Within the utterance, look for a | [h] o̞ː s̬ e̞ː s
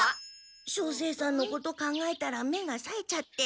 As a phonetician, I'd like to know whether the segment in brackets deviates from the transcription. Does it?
yes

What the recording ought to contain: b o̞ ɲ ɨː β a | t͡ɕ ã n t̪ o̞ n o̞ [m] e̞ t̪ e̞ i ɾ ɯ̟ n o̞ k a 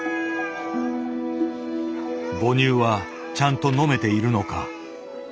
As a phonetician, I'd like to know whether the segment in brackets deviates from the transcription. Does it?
no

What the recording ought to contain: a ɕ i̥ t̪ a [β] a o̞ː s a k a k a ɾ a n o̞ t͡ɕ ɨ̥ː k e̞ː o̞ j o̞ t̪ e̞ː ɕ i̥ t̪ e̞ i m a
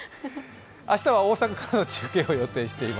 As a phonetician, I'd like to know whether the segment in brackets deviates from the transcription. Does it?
no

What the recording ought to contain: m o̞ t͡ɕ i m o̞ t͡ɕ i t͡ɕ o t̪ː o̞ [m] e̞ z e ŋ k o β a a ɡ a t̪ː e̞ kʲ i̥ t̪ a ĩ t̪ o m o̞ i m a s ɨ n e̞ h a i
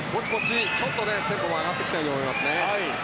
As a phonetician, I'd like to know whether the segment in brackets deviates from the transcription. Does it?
yes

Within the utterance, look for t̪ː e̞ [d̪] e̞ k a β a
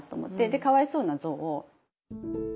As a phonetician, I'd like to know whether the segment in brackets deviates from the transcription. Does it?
no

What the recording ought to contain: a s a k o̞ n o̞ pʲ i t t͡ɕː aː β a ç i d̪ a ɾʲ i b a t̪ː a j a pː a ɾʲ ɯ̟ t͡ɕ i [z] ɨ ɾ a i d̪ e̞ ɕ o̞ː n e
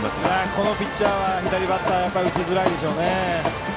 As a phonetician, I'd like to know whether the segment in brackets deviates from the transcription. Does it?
no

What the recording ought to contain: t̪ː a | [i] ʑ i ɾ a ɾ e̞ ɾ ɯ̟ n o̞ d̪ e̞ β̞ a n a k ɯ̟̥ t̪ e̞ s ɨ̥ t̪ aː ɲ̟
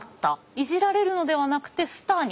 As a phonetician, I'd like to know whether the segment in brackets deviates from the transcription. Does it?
no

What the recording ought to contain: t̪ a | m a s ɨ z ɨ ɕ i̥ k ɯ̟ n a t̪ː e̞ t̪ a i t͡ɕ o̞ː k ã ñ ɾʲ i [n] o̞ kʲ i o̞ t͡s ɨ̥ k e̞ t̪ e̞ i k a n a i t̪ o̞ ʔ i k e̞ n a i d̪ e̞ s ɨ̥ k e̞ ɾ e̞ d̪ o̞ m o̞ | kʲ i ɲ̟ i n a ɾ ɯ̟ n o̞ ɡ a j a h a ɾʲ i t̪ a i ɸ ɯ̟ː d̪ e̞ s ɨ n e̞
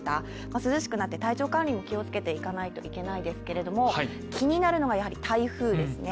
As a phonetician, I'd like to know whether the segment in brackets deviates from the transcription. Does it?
yes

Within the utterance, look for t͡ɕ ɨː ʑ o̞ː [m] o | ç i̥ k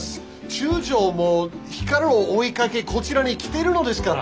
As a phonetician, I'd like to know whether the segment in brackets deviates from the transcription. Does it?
no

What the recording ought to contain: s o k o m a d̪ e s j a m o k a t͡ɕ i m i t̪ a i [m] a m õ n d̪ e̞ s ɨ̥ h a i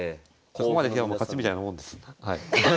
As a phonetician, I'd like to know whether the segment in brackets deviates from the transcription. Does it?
yes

